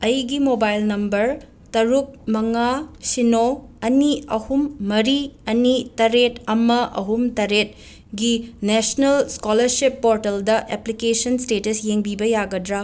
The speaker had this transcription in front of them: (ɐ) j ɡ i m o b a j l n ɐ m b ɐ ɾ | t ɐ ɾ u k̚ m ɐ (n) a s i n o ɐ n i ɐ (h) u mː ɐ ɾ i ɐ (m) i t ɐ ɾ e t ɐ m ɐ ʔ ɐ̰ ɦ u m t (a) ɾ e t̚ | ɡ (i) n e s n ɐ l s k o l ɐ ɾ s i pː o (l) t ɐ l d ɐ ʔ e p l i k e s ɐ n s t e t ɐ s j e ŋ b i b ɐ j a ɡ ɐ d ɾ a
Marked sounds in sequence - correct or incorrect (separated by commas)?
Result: correct, incorrect, correct, incorrect, incorrect, correct, incorrect